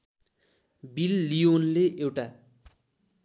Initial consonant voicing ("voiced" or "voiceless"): voiced